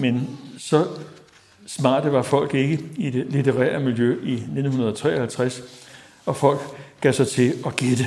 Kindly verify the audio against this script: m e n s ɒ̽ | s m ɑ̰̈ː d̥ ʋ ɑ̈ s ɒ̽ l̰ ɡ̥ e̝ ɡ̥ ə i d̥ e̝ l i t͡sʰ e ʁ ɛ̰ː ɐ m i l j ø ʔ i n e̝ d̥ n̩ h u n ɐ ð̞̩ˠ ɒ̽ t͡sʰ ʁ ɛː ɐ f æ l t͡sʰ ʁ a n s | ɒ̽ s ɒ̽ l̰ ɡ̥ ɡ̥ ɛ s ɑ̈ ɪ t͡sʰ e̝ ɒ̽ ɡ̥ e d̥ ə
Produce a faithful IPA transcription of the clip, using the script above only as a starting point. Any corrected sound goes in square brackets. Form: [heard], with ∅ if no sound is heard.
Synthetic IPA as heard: m e n s ɒ̽ | s m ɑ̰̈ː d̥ ʋ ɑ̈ [f] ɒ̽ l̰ ɡ̥ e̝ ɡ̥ ə i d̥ e̝ l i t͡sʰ e ʁ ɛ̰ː ɐ m i l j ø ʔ i n e̝ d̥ n̩ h u n ɐ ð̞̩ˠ ɒ̽ t͡sʰ ʁ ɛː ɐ [h] æ l t͡sʰ ʁ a [∅] s | ɒ̽ [f] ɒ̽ l̰ ɡ̥ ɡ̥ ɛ s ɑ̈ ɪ t͡sʰ e̝ ɒ̽ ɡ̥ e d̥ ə